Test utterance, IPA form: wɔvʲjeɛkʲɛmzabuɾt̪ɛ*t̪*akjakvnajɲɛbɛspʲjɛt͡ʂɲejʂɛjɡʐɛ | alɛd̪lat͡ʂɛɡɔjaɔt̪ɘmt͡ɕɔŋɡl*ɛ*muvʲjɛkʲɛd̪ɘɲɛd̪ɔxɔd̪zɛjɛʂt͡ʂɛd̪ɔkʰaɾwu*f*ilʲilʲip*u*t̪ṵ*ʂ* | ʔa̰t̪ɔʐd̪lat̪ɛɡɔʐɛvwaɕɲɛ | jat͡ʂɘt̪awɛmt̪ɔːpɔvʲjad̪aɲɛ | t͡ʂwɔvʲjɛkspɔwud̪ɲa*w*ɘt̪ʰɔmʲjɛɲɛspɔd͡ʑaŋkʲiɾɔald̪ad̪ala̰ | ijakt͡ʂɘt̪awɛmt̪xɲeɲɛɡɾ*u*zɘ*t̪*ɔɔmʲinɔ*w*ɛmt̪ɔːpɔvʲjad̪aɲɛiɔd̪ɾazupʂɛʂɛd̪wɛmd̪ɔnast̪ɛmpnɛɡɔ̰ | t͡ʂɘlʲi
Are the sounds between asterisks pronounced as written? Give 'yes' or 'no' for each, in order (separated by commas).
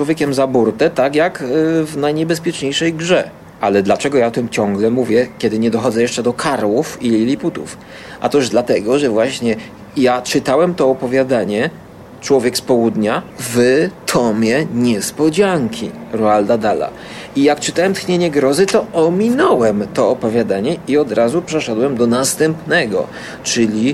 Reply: yes, yes, yes, yes, no, no, no, yes, yes